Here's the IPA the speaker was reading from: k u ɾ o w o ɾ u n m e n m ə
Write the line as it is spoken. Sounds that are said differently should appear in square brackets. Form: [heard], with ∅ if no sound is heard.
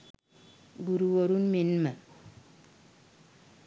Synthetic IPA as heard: [ɡ] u ɾ [u] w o ɾ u n m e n m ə